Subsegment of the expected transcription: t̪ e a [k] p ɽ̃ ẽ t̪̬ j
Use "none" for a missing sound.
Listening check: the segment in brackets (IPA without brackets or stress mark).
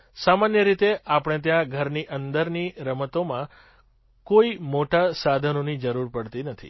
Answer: none